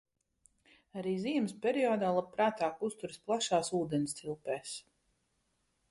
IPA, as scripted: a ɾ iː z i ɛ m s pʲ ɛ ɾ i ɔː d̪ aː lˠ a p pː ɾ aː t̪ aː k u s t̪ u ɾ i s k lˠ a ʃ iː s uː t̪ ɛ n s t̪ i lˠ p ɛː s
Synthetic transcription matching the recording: a ɾ iː z i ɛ m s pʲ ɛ ɾ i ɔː d̪ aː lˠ a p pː ɾ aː t̪ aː k u s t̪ u ɾ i s p lˠ a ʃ aː s uː d̪ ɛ n s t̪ i lˠ p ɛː s

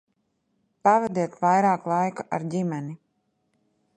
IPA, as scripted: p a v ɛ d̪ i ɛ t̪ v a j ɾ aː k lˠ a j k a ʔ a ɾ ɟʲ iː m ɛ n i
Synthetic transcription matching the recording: p a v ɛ d̪ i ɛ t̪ v a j ɾ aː k lˠ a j k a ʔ a ɾ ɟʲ i m ɛ n i

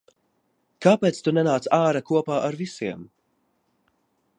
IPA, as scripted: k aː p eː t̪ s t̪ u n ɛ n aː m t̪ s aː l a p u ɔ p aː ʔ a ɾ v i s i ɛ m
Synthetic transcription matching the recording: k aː p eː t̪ s t̪ u n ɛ n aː t̪ s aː ɾ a k u ɔ p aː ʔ a ɾ v i s i ɛ m

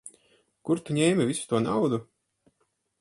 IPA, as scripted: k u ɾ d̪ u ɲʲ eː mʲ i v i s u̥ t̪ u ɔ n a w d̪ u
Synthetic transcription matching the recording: k u ɾ t̪ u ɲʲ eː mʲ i v i s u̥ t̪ u ɔ n a w d̪ u

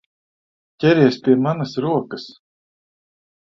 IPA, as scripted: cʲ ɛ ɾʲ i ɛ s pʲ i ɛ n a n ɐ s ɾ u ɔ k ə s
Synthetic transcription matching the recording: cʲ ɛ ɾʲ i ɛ s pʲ i ɛ m a n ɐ s ɾ u ɔ k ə s

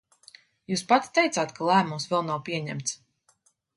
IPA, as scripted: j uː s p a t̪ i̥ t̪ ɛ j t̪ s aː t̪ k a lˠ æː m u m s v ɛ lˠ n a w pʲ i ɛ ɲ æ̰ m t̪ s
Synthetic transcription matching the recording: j uː s p a t̪ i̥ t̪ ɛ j t̪ s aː t̪ k a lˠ æː m u m s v ɛ lˠ n a w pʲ i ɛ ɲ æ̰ m t̪ s

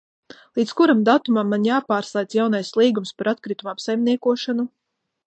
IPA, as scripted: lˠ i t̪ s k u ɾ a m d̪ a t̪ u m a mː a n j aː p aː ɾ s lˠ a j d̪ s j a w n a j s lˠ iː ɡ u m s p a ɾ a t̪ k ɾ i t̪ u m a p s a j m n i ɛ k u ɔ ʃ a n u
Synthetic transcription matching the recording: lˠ i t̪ s k u ɾ a m d̪ a t̪ u m a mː a n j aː p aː ɾ s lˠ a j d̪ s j a w n a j s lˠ iː ɡ u m s p a ɾ a t̪ k ɾ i t̪ u m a p s a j m n i ɛ k u ɔ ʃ a n u

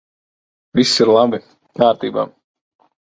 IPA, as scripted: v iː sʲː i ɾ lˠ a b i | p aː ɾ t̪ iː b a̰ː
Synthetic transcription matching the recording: v i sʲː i ɾ lˠ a b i | k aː ɾ t̪ iː b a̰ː

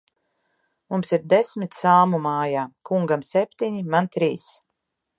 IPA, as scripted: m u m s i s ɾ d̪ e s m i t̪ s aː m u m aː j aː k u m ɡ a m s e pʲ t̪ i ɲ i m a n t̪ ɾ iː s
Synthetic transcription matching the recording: m u m s i ɾ d̪ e s m i t̪ s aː m u m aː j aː k u ŋ ɡ a m s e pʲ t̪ i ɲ i m a n t̪ ɾ iː s

